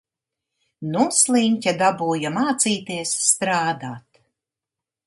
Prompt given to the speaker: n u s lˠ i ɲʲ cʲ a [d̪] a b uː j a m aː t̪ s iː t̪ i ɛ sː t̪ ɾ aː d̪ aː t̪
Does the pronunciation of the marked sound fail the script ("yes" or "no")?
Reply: no